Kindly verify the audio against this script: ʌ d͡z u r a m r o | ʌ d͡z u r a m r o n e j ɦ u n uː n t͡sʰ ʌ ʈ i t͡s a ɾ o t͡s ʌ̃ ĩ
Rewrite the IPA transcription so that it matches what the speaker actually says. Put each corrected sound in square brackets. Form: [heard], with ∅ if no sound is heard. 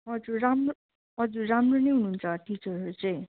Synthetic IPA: ʌ d͡z u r a m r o | ʌ d͡z u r a m r o n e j ɦ u n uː n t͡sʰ ʌ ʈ i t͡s [ʌ] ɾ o t͡s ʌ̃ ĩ